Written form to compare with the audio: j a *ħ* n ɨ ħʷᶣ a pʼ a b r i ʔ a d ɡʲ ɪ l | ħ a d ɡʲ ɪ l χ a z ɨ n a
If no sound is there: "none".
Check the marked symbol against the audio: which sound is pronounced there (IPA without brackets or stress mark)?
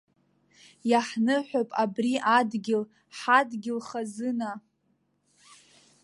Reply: ħ